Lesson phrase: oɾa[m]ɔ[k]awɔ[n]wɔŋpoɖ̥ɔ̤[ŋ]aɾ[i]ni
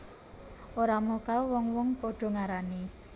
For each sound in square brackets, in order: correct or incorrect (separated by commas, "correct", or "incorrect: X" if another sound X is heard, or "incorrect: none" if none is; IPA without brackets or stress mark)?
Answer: correct, correct, incorrect: ŋ, correct, incorrect: a